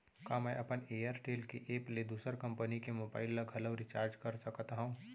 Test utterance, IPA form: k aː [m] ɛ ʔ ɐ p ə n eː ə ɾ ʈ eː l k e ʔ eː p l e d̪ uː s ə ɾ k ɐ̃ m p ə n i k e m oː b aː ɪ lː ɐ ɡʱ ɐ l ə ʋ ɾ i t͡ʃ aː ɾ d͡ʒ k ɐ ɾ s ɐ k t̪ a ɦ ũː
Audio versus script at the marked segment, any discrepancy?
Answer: no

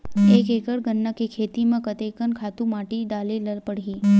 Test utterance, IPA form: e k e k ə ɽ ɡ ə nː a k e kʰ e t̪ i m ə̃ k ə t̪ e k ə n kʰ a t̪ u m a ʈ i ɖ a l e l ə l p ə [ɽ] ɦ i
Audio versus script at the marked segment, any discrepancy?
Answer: no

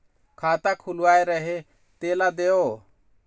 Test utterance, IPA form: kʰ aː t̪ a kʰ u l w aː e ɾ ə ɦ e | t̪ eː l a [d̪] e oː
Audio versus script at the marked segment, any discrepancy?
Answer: no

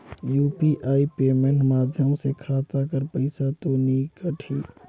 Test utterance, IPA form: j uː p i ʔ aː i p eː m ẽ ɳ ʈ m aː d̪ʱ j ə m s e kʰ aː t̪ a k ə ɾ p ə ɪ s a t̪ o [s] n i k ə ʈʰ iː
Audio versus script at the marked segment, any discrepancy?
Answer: yes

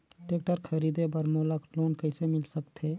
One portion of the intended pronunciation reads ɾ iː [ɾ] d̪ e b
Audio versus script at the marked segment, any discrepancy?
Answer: yes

